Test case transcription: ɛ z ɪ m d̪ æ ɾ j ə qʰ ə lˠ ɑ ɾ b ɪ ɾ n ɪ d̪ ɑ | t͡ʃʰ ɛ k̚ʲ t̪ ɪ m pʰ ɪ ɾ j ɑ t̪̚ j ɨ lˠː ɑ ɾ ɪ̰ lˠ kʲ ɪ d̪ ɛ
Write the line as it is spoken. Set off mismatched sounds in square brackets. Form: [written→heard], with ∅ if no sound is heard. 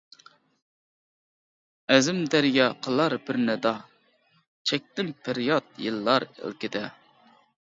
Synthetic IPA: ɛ z ɪ m d̪ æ ɾ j [ə→ɑ] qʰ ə lˠ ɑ ɾ b ɪ ɾ n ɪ d̪ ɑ | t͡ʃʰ ɛ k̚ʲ t̪ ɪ m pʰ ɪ ɾ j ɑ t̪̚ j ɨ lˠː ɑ ɾ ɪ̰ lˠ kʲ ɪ d̪ ɛ